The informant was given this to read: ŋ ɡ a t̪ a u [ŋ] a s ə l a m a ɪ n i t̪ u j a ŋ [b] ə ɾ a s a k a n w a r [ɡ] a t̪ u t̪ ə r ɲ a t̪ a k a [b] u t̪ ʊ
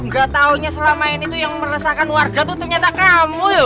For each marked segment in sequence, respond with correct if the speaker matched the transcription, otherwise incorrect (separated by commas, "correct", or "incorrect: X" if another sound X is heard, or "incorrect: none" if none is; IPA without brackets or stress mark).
incorrect: ɲ, incorrect: m, correct, incorrect: m